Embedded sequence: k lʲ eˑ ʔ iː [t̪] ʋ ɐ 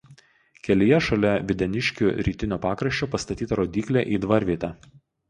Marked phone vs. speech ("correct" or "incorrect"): incorrect